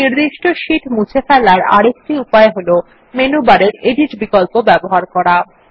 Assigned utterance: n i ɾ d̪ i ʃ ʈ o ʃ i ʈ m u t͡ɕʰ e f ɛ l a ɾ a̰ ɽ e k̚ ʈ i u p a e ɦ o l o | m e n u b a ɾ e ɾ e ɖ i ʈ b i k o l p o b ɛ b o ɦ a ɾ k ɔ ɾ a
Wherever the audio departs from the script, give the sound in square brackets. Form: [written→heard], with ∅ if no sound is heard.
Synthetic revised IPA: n i ɾ d̪ i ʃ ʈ o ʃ i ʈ m u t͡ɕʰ e f ɛ l a ɾ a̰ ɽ e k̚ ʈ i u p a e ɦ o l o | m e n u b a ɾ e ɾ e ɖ i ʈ b i k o l p o b ɛ b o ɦ a ɾ k ɔ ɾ a